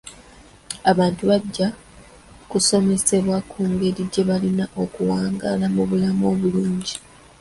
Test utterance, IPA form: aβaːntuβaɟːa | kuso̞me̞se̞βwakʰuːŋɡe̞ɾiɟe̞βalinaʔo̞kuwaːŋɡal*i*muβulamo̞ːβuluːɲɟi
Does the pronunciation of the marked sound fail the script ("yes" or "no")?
yes